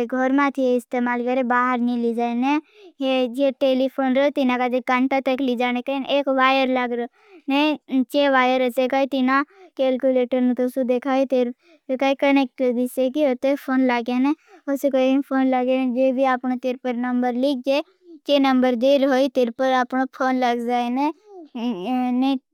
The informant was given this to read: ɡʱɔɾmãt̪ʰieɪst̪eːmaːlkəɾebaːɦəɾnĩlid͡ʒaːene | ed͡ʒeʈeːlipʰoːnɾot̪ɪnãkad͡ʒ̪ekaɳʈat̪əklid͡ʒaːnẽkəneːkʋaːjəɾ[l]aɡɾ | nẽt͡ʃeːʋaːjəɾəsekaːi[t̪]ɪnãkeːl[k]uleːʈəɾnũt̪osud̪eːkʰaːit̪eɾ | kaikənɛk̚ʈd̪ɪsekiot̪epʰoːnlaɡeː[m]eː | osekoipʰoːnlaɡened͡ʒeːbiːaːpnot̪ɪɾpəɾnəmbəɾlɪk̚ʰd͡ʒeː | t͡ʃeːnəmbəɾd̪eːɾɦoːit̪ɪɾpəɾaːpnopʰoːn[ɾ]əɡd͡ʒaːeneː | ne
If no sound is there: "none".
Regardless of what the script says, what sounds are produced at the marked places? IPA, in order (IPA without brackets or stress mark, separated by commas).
l, t̪, k, n, l